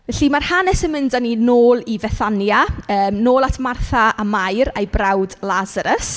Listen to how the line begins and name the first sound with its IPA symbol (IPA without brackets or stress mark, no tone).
v